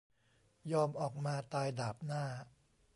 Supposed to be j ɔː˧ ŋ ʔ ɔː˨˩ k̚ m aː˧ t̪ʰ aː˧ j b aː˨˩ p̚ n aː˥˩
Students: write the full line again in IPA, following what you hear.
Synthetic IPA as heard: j ɔː˧ m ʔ ɔː˨˩ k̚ m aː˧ t̪ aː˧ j d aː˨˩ p̚ n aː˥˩